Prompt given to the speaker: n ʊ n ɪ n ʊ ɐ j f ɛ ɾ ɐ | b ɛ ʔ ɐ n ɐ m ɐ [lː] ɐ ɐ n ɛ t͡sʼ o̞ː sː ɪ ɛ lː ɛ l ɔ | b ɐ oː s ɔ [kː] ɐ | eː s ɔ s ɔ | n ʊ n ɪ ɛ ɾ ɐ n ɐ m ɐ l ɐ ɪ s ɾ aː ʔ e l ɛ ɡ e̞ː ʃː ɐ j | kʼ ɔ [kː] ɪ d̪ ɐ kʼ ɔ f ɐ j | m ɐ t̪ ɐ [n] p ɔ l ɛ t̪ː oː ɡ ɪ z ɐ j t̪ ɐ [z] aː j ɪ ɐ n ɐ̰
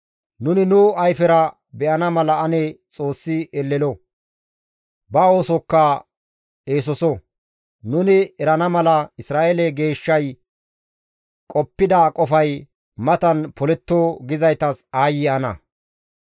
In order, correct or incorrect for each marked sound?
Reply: incorrect, correct, incorrect, correct, incorrect

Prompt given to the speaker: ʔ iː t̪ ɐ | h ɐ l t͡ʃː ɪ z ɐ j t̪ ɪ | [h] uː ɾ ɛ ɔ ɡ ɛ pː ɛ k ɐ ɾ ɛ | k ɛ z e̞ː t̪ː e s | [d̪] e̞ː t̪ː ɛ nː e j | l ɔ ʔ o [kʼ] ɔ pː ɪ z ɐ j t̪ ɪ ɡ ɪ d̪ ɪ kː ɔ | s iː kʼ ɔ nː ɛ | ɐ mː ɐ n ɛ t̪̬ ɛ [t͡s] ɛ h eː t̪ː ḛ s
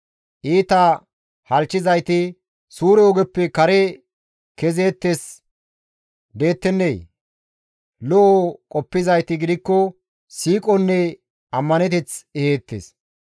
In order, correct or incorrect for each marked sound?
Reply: incorrect, correct, correct, correct

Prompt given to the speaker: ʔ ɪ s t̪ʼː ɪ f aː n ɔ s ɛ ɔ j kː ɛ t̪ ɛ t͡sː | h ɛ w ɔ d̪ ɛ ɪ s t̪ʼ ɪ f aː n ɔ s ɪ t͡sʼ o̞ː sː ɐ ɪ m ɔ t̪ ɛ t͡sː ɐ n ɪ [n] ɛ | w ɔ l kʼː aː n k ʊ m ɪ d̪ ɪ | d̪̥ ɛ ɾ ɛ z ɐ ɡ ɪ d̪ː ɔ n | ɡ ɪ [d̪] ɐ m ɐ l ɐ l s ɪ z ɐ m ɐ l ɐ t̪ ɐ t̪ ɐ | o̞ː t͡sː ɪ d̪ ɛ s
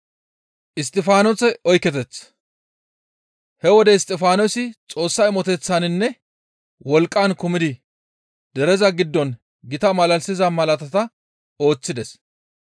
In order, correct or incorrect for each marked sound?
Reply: incorrect, incorrect

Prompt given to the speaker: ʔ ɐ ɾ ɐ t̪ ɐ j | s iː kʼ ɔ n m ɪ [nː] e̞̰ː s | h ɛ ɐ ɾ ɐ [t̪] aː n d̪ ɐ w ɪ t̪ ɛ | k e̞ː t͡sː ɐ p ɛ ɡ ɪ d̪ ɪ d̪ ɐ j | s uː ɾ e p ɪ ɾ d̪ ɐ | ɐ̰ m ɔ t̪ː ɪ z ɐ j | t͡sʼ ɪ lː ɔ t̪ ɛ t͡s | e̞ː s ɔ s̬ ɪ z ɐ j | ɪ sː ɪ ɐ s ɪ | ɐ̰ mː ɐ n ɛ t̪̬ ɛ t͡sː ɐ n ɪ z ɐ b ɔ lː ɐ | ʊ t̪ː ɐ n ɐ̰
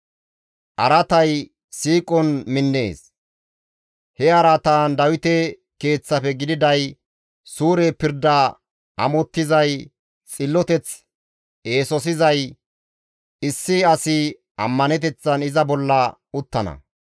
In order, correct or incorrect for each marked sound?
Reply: correct, correct

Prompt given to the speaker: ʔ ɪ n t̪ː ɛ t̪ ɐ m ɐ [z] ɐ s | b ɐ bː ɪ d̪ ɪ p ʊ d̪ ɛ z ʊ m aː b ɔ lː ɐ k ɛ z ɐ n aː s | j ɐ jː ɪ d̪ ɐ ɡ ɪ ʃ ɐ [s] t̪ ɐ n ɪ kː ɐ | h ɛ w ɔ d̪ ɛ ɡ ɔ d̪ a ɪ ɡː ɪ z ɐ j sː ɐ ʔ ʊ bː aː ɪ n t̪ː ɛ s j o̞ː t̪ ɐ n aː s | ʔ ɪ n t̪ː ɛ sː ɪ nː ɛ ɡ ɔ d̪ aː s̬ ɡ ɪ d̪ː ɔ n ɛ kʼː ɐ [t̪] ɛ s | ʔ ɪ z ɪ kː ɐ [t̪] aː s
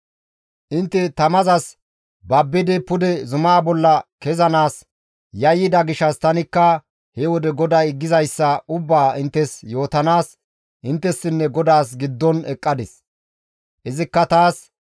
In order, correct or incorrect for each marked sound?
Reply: correct, correct, incorrect, correct

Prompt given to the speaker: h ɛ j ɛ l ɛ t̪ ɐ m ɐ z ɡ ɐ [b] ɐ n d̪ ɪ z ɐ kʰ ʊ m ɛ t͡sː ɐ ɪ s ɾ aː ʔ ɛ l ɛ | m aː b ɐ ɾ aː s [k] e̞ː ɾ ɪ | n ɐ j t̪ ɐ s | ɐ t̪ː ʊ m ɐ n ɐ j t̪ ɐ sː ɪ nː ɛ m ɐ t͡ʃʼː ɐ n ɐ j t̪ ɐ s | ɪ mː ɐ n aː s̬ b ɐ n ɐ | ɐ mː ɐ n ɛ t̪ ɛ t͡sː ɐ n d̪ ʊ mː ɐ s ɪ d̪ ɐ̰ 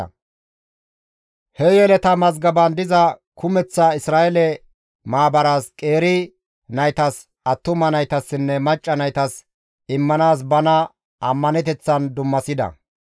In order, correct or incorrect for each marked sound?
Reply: correct, incorrect

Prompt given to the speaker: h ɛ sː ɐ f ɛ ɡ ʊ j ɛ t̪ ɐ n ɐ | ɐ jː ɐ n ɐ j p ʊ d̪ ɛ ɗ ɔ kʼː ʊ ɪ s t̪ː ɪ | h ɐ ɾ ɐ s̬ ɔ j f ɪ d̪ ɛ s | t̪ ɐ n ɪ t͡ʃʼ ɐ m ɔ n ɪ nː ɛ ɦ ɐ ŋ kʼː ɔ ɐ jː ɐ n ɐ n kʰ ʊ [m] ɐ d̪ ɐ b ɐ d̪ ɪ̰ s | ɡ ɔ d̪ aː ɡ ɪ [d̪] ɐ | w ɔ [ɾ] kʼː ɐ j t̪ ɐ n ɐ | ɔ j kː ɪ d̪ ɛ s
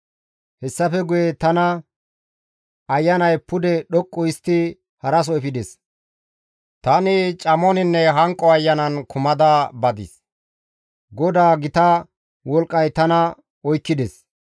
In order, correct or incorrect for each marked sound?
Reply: correct, incorrect, incorrect

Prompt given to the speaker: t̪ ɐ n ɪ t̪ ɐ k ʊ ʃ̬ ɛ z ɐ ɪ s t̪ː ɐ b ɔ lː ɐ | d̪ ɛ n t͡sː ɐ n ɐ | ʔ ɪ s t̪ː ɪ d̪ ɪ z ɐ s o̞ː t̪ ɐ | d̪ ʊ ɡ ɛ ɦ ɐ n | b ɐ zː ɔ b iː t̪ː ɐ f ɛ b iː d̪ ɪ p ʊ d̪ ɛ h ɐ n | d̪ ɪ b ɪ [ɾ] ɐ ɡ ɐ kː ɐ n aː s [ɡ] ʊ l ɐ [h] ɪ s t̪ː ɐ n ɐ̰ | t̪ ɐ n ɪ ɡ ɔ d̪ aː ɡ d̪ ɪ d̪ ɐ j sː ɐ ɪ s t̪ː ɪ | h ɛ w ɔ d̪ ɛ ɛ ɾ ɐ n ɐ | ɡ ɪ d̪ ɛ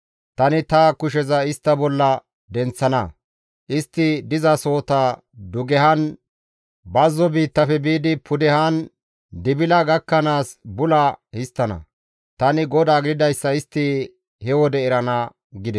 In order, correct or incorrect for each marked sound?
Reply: incorrect, incorrect, correct

